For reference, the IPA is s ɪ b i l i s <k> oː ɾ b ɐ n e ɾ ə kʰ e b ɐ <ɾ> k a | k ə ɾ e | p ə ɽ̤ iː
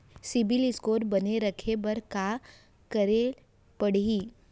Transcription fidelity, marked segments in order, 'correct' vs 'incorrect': correct, correct

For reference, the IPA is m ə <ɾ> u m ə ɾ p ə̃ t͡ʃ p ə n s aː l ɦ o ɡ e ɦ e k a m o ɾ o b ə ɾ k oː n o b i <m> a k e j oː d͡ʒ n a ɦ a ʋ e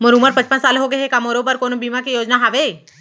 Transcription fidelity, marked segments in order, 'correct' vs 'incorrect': correct, correct

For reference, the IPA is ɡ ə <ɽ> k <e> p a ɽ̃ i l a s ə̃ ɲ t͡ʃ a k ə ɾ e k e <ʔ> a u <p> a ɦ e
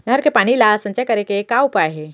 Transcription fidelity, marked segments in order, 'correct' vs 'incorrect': incorrect, correct, incorrect, correct

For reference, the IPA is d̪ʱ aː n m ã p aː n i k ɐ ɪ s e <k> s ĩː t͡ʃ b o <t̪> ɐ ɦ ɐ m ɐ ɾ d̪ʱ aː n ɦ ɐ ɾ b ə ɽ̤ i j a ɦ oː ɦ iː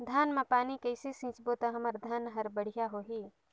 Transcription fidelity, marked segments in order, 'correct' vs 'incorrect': incorrect, correct

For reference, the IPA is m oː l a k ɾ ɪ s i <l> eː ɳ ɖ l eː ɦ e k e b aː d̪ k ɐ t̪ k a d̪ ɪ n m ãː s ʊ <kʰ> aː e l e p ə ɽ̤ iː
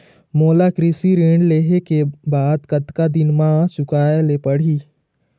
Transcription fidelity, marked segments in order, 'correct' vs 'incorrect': incorrect, incorrect

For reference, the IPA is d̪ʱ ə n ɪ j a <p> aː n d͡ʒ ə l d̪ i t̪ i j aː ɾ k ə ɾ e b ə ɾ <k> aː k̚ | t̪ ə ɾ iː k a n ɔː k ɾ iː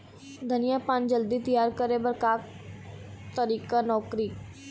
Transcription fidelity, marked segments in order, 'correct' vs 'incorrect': correct, correct

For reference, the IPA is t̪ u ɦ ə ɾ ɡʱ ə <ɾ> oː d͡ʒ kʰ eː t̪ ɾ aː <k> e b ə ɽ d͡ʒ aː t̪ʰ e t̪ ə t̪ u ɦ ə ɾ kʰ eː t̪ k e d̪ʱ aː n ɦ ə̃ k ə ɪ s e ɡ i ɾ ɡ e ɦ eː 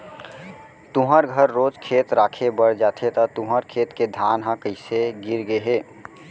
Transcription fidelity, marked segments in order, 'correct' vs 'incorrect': incorrect, incorrect

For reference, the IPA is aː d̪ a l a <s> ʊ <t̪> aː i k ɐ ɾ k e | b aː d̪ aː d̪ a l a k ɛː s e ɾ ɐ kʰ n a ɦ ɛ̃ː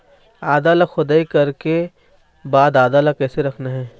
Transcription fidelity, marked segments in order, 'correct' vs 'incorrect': incorrect, incorrect

